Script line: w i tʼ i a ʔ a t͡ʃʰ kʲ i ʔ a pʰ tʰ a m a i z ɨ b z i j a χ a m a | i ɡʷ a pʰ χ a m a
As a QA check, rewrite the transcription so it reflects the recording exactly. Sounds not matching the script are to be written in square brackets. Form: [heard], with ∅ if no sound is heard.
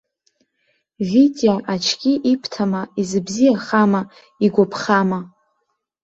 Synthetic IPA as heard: [v] i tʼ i a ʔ a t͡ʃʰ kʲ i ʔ [i] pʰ tʰ a m a i z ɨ b z i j a χ a m a | i ɡʷ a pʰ χ a m a